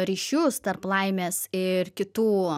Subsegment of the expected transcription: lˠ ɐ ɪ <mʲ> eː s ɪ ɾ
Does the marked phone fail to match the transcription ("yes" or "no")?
no